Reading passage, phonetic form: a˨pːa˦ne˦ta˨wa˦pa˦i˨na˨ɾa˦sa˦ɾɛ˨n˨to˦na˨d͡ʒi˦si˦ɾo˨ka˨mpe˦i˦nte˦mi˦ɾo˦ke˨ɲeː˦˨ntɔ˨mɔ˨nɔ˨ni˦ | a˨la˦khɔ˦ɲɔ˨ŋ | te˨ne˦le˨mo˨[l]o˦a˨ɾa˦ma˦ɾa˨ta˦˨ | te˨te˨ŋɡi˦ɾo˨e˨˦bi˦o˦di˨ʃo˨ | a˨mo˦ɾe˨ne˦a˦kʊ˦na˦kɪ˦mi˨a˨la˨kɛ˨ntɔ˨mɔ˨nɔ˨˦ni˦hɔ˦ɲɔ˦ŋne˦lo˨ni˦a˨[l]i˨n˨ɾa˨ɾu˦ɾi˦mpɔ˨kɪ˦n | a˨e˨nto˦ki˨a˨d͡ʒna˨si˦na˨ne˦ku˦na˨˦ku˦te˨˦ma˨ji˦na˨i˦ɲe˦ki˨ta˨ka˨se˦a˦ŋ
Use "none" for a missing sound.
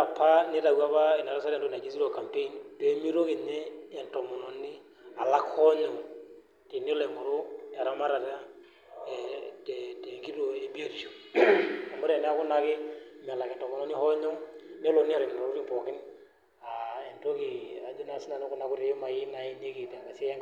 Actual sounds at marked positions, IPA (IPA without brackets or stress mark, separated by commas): ɾ, ɾ